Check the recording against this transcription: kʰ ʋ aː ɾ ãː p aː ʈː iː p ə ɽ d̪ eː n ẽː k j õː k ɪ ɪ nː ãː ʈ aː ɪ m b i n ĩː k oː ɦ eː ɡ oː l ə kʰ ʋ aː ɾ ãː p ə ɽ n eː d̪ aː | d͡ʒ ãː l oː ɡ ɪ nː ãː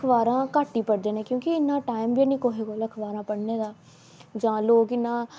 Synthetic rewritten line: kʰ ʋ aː ɾ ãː k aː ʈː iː p ə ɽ d̪ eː n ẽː k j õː k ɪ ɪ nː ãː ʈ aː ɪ m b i n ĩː k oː ɦ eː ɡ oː l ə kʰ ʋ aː ɾ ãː p ə ɽ n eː d̪ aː | d͡ʒ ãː l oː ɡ ɪ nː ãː